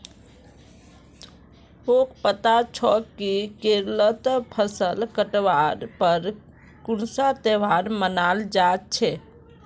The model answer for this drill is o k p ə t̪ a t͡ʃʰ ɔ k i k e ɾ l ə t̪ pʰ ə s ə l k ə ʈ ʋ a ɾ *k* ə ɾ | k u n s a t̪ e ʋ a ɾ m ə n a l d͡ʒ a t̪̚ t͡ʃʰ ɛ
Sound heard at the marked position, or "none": p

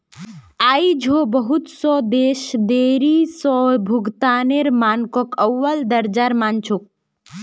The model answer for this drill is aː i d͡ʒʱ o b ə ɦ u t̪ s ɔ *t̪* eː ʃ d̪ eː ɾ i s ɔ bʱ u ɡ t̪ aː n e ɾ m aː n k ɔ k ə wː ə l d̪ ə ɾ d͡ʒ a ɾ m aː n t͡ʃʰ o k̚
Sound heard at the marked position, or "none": d̪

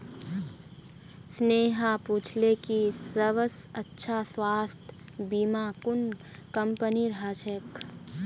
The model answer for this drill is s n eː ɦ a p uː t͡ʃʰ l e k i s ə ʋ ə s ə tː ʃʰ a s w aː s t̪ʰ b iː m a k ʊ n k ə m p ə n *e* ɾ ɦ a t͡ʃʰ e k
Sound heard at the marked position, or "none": i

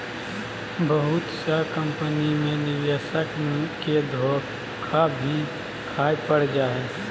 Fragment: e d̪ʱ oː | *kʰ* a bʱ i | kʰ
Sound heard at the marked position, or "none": kʰ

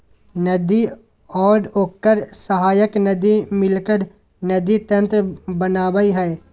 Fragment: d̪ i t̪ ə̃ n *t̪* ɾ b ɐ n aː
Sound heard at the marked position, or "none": t̪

